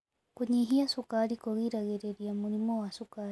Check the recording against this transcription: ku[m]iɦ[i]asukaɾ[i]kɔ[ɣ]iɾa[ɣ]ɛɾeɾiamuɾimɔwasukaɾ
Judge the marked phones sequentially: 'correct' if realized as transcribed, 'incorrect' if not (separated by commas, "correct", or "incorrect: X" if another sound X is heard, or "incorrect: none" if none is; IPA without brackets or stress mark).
incorrect: ɲ, correct, correct, correct, correct